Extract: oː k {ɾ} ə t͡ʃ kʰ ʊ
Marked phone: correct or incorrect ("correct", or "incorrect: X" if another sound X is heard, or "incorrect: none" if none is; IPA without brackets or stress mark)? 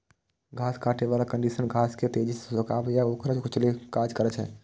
correct